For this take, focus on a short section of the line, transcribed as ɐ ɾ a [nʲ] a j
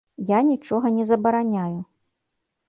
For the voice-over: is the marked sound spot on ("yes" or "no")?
yes